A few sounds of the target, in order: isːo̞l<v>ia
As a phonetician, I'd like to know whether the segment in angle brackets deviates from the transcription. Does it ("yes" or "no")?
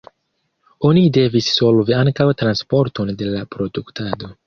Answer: no